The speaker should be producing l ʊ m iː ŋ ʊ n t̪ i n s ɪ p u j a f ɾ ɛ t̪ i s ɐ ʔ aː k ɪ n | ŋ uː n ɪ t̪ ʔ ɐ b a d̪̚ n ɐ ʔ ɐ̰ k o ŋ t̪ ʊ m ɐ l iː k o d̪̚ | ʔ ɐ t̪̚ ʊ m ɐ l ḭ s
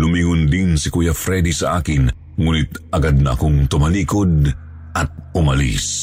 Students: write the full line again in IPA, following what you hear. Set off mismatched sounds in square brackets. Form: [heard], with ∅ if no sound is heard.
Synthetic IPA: l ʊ m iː ŋ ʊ n [d̪] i n s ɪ [k] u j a f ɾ ɛ [d̪] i s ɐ ʔ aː k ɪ n | ŋ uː n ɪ t̪ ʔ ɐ [ɡ] a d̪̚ n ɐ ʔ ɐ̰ k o ŋ t̪ ʊ m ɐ l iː k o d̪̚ | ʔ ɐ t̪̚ ʊ m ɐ l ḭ s